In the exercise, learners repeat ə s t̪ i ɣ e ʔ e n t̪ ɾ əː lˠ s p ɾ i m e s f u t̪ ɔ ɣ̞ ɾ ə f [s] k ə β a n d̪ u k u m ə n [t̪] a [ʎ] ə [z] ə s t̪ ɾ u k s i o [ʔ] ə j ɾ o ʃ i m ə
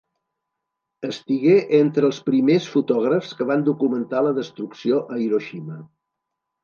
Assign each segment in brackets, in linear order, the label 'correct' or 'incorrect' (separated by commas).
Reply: correct, correct, incorrect, incorrect, correct